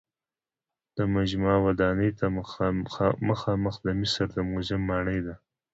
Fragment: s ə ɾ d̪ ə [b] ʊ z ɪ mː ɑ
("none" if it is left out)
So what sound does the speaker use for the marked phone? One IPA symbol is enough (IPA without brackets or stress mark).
m